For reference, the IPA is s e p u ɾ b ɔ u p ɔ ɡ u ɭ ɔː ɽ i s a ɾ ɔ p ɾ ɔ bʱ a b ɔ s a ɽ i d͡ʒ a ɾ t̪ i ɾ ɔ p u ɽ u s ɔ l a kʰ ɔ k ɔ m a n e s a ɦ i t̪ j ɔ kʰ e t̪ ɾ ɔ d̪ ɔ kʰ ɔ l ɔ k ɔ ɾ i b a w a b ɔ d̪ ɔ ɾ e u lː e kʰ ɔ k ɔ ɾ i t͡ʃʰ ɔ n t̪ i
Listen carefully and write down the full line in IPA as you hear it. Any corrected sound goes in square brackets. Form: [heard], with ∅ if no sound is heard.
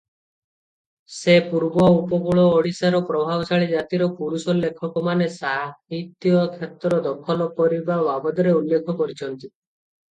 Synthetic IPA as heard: s e p u ɾ b ɔ u p ɔ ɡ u ɭ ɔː ɽ i s a ɾ ɔ p ɾ ɔ bʱ a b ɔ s a [ɭ] i d͡ʒ a [∅] t̪ i ɾ ɔ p u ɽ u s ɔ l [e] kʰ ɔ k ɔ m a n e s a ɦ i t̪ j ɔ kʰ e t̪ ɾ ɔ d̪ ɔ kʰ ɔ l ɔ k ɔ ɾ i b a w a b ɔ d̪ ɔ ɾ e u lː e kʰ ɔ k ɔ ɾ i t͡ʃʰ ɔ n t̪ i